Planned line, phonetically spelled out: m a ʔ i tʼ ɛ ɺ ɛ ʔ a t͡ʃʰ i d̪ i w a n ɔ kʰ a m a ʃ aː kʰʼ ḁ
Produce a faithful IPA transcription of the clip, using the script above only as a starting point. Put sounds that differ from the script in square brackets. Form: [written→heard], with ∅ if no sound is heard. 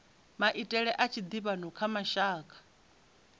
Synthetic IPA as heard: m a ʔ i tʼ ɛ ɺ ɛ ʔ a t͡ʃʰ i d̪ i [w→β] a n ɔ kʰ a m a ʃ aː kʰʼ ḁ

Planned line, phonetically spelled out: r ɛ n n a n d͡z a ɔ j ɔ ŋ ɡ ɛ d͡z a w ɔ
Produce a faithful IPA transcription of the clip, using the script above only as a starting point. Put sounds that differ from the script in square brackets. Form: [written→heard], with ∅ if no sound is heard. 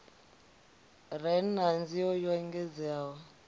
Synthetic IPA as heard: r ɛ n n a n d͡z [a→i] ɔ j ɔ ŋ ɡ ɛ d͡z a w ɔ

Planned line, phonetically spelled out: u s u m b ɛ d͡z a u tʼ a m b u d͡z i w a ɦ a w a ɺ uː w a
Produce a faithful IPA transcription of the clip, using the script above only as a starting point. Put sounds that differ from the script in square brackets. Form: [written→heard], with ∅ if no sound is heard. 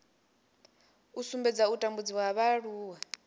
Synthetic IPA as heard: u s u m b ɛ d͡z a u tʼ a m b u d͡z i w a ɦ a [w→β] a ɺ uː w a

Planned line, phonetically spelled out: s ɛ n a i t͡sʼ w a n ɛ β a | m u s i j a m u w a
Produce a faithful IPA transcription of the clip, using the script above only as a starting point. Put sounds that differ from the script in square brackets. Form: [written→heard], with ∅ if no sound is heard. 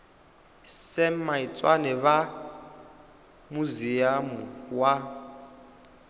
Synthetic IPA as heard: s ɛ [n→m] a i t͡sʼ w a n ɛ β a | m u [s→z] i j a m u w a

